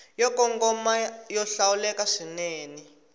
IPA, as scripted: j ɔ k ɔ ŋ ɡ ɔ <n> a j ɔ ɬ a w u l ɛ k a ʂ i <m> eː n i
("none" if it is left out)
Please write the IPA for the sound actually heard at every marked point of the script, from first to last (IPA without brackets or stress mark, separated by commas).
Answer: m, n